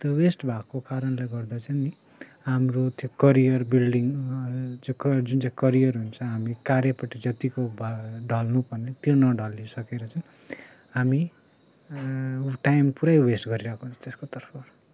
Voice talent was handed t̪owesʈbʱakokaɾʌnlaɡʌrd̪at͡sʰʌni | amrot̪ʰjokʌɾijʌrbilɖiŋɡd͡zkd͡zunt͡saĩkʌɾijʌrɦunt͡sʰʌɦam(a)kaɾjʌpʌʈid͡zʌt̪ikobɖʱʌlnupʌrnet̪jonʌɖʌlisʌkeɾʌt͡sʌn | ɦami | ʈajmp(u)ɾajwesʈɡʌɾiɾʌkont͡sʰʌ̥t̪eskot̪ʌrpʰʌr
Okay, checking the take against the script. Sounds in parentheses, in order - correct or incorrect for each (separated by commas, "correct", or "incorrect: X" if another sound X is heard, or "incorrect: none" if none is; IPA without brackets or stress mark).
incorrect: i, correct